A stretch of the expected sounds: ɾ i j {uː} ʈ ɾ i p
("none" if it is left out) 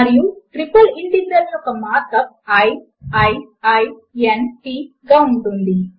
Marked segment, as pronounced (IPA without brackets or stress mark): u